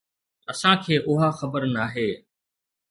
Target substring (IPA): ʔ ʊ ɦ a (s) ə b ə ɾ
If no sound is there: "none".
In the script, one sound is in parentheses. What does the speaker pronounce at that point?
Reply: x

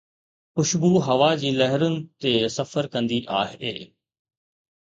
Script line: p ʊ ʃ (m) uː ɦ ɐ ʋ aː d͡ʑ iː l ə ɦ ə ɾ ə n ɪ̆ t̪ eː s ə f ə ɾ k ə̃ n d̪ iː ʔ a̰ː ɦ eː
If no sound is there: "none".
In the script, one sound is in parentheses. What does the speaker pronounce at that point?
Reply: b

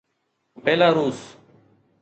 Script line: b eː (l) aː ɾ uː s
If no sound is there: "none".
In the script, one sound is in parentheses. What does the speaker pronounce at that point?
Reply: l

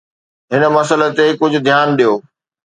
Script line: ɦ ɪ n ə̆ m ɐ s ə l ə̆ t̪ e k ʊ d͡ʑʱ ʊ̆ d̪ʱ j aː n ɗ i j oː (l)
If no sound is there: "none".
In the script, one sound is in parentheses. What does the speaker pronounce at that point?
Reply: none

